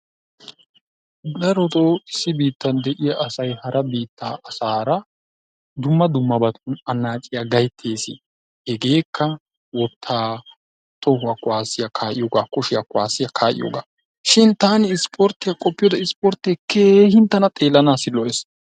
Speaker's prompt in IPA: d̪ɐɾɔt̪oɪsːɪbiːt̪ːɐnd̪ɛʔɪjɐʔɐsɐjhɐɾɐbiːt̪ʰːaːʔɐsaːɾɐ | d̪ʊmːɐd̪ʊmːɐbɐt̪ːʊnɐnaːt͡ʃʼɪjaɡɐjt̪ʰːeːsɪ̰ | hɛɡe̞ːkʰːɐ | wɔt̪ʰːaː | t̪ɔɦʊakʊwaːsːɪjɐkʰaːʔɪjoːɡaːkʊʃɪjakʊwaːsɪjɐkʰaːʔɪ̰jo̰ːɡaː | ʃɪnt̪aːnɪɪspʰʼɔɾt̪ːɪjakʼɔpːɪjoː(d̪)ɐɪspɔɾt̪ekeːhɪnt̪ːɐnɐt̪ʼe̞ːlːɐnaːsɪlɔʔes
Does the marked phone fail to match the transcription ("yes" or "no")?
no